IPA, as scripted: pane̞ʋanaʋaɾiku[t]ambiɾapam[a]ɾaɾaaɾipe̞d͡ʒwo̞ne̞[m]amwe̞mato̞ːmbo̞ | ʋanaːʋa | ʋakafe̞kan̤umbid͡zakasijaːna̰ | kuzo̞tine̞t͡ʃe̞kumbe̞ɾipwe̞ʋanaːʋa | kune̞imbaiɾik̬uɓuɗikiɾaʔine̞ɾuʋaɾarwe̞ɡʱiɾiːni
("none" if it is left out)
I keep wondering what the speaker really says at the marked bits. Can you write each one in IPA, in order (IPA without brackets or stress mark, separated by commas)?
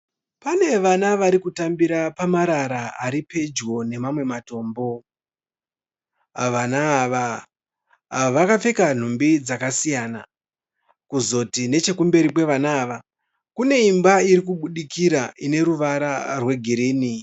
t, a, m